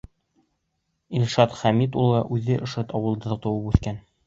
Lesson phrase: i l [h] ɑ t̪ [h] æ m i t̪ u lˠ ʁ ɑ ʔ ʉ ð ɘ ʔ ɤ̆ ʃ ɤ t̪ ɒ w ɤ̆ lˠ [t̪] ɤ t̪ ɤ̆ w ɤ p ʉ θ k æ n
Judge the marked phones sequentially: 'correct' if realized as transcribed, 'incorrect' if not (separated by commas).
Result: incorrect, incorrect, incorrect